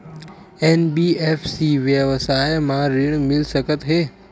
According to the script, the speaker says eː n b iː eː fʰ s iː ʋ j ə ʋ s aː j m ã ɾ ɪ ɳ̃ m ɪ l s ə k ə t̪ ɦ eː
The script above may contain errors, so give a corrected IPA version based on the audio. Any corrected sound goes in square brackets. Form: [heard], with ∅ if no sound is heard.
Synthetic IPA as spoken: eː n b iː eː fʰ s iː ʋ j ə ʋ s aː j m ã ɾ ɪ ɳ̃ m ɪ l s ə k ə t̪ ɦ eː